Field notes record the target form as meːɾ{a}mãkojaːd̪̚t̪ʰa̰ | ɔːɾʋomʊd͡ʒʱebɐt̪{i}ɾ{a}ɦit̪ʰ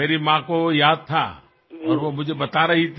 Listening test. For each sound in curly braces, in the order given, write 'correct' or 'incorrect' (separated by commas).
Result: incorrect, incorrect, incorrect